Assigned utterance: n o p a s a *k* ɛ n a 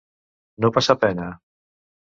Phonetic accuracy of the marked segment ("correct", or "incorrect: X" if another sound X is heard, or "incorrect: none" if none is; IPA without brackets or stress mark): incorrect: p